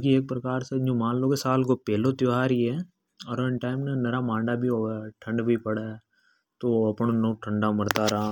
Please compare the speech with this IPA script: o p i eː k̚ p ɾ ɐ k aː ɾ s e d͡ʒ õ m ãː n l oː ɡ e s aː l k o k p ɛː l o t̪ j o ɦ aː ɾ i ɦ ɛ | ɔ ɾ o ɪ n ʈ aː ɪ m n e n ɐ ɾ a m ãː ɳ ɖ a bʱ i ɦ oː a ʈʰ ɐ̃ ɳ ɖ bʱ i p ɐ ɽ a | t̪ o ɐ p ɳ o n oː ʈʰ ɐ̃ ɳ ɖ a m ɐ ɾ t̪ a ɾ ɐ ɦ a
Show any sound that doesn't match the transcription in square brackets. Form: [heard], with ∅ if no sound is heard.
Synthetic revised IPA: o [k] i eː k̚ p ɾ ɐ k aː ɾ s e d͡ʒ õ m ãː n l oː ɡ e s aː l k o [∅] p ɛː l o t̪ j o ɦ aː ɾ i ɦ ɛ | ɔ ɾ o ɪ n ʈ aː ɪ m n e n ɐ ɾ a m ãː ɳ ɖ a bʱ i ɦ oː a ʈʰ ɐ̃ ɳ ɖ bʱ i p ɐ ɽ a | t̪ o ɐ p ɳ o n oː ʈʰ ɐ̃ ɳ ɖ a m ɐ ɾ t̪ a ɾ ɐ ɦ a